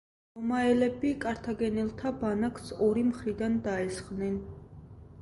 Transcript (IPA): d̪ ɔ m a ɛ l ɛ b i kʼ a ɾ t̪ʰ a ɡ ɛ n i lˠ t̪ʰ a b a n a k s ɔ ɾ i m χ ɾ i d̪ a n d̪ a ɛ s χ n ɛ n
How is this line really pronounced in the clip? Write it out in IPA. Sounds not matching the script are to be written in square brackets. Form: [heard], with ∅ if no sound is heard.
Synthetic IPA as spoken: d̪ ɔ m a ɛ l ɛ b i kʼ a ɾ t̪ʰ a ɡ ɛ n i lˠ t̪ʰ a b a n a k s ɔ ɾ i m χ ɾ i d̪ a n d̪ a ɛ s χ n ɛ n